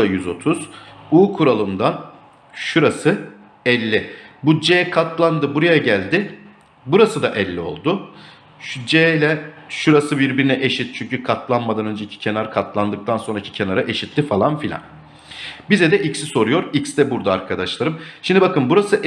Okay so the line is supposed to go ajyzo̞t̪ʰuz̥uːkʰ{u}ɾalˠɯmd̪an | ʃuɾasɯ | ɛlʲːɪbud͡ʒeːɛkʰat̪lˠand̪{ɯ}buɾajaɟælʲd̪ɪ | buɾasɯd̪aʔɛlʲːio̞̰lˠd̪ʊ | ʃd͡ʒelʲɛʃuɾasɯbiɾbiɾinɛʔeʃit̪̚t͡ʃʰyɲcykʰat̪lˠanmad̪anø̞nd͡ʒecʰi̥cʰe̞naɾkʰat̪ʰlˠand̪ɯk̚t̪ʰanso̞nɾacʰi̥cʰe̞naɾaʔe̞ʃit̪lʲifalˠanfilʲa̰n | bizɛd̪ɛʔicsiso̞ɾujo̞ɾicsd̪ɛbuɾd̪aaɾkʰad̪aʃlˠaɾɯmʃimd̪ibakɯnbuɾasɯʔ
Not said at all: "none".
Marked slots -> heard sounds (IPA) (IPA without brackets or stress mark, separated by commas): u, ɯ